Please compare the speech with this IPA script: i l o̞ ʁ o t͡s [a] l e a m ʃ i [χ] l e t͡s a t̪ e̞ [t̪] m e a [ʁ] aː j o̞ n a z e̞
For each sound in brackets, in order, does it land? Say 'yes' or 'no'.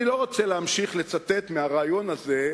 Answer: no, yes, yes, yes

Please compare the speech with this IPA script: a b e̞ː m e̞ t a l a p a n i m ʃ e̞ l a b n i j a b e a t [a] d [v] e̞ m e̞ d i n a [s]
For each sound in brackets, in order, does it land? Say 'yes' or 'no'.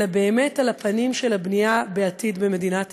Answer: no, no, no

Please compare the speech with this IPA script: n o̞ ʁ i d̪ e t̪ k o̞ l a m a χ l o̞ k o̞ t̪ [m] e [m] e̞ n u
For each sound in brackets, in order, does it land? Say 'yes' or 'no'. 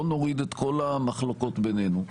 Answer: no, no

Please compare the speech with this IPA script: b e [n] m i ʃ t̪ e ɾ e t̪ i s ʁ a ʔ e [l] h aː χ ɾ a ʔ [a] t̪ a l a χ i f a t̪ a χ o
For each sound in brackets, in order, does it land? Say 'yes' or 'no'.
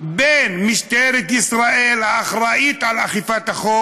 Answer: yes, yes, no

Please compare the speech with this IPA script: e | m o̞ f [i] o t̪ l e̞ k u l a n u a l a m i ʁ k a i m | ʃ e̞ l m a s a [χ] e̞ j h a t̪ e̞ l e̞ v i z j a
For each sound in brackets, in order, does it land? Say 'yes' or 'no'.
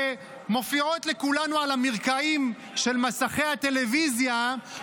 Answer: yes, yes

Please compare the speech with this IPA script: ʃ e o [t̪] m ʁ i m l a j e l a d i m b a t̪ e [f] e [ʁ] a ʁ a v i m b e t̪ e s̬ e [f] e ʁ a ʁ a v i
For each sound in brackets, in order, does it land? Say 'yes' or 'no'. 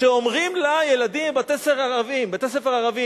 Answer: no, no, yes, yes

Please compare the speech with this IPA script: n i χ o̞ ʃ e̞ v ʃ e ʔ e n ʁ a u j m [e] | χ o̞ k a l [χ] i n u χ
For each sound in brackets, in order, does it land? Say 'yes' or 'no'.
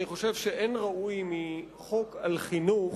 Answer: no, yes

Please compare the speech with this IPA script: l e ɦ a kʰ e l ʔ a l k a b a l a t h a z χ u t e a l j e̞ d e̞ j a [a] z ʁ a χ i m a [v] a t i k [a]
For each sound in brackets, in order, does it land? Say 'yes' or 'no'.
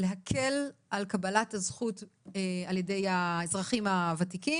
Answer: no, yes, no

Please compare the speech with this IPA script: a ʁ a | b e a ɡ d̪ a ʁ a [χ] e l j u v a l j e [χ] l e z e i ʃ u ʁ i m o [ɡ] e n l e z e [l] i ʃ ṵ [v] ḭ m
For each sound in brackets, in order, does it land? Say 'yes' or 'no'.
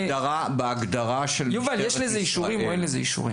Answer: no, no, no, no, no

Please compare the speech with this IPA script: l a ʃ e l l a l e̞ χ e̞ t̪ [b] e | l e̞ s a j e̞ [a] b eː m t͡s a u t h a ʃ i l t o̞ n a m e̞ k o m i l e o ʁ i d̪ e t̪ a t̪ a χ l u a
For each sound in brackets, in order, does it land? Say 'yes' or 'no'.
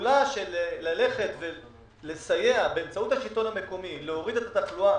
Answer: no, yes

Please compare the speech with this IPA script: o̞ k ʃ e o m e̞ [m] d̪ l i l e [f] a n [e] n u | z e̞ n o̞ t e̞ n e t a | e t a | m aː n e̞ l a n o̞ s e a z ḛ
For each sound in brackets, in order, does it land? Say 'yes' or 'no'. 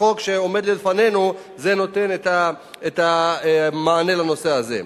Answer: no, yes, yes

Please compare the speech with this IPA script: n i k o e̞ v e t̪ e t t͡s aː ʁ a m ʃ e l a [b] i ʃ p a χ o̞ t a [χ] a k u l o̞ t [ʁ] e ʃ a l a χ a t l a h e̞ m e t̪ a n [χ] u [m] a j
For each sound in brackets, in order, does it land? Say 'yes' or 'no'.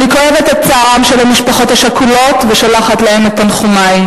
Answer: no, no, no, yes, yes

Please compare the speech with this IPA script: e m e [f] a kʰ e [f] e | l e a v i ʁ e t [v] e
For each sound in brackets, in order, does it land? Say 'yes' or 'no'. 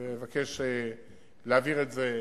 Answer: no, no, no

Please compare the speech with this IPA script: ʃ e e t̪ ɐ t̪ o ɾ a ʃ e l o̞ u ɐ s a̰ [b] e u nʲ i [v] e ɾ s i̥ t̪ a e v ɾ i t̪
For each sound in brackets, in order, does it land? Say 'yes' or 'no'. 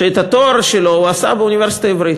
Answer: yes, yes

